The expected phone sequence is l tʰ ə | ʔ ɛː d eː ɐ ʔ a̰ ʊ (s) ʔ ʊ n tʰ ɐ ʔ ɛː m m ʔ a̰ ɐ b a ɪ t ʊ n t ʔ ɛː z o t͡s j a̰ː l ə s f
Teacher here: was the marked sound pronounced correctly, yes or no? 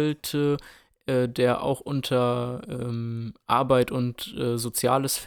no